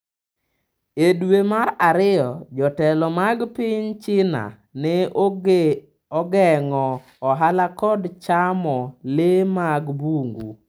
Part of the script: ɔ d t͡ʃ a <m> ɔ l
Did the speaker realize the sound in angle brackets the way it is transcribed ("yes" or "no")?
yes